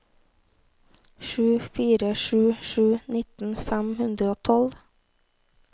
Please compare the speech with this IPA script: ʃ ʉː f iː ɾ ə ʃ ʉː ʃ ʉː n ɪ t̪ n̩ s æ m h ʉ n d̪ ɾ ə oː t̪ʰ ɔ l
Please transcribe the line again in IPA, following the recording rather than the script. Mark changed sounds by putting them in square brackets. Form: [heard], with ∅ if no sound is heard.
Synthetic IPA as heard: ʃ ʉː f iː ɾ ə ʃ ʉː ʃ ʉː n ɪ t̪ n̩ [f] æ m h ʉ n d̪ ɾ ə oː t̪ʰ ɔ l